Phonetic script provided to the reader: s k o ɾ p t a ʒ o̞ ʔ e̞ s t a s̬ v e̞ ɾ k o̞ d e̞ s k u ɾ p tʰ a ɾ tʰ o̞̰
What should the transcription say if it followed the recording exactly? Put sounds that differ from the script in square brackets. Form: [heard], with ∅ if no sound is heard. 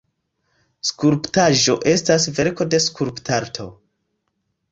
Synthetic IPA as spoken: s k [u] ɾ p t a ʒ o̞ ʔ e̞ s t a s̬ v e̞ ɾ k o̞ d e̞ s k u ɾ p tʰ a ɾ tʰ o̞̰